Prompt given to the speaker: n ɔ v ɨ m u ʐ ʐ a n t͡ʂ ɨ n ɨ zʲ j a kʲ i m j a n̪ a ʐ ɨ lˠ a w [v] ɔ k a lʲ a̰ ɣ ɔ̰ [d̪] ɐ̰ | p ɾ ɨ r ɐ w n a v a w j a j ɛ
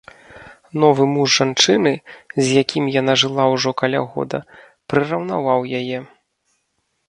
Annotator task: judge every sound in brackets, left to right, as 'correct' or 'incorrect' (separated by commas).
incorrect, correct